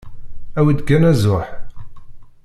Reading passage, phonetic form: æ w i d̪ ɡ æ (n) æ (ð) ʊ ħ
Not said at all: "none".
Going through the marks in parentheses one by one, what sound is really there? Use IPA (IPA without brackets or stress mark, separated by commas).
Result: n, z